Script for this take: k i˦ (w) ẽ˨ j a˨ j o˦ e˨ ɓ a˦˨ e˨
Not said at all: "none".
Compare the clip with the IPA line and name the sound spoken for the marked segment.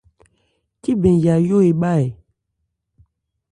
b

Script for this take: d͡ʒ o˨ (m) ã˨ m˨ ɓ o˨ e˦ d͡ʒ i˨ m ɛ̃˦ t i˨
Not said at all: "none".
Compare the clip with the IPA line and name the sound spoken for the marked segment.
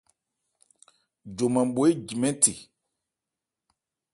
m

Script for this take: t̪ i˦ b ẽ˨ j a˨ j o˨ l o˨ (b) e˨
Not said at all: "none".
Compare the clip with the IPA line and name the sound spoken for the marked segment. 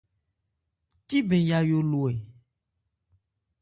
none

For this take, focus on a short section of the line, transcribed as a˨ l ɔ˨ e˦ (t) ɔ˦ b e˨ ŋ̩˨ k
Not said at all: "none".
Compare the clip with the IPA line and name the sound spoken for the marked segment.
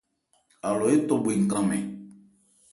t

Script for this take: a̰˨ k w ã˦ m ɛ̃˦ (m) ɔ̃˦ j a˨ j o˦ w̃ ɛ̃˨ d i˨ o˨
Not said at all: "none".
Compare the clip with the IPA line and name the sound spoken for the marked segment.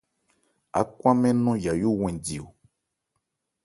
n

